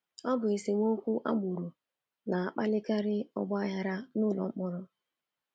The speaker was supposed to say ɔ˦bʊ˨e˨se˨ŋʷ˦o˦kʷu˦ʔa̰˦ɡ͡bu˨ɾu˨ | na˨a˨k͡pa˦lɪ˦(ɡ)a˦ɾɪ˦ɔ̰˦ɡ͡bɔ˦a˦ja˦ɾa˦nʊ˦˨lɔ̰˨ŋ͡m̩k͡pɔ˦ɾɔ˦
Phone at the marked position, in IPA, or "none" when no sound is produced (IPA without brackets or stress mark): k